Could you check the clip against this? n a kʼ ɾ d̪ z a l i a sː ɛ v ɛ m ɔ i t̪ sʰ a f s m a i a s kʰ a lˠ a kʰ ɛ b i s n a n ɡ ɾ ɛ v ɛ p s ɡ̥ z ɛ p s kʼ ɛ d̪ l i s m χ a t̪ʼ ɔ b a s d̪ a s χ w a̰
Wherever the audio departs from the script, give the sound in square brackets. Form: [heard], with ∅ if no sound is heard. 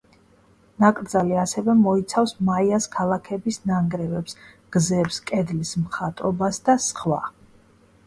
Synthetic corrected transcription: n a kʼ ɾ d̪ z a l i a [s] ɛ v ɛ m ɔ i t̪ sʰ a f s m a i a s kʰ a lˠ a kʰ ɛ b i s n a [ŋ] ɡ ɾ ɛ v ɛ p s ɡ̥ z ɛ p s kʼ ɛ d̪ l i s m χ a t̪ʼ ɔ b a s d̪ a s χ w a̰